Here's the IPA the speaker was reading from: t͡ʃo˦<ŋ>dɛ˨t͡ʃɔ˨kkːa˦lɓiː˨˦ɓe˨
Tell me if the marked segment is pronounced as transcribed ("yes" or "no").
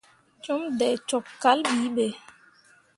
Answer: no